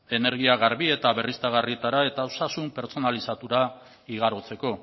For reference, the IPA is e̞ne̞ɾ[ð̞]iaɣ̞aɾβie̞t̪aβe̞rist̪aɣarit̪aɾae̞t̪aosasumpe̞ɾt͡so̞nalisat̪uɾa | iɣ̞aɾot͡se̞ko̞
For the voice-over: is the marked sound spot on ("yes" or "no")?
no